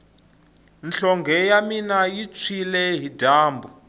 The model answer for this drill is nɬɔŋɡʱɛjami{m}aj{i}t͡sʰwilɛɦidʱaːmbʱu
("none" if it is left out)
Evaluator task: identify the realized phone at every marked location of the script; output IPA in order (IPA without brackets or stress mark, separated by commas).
n, i